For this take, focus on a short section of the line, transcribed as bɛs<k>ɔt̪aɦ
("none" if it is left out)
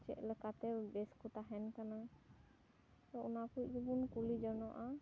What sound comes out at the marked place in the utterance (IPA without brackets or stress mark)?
k